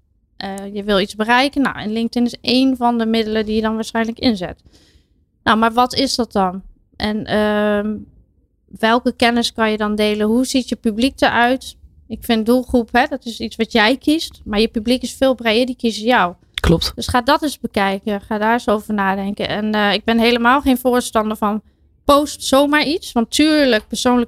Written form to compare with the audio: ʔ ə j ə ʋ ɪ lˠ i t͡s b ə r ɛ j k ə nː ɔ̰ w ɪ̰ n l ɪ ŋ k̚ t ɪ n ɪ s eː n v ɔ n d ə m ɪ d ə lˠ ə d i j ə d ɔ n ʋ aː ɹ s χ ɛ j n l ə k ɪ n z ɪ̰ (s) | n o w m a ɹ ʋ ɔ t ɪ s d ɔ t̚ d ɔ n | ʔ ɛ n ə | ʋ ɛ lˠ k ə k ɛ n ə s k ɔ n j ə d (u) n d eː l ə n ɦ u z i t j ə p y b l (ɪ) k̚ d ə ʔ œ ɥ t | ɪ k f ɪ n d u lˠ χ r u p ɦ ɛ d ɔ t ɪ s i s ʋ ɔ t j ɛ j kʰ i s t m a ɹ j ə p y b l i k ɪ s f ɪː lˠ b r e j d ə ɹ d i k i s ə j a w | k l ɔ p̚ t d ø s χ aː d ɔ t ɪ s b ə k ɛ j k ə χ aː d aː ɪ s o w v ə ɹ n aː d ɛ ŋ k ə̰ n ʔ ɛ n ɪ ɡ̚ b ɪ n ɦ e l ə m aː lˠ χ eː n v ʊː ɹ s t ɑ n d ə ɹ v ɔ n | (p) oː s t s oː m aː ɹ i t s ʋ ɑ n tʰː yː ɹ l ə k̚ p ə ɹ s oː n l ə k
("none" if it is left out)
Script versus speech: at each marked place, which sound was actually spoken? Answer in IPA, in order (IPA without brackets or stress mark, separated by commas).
t, ɔ, i, p